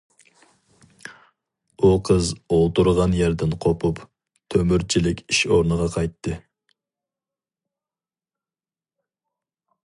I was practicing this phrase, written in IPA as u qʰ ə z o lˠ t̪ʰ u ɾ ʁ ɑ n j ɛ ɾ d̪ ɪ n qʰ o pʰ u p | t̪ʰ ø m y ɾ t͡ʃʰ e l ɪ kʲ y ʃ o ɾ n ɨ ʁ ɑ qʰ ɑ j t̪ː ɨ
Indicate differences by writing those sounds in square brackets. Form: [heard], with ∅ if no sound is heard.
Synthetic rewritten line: u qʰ ə z o lˠ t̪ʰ u ɾ ʁ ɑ n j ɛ ɾ d̪ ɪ n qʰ o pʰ u p | t̪ʰ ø m y ɾ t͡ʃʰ [i] l ɪ kʲ [i] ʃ o ɾ n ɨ ʁ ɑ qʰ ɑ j t̪ː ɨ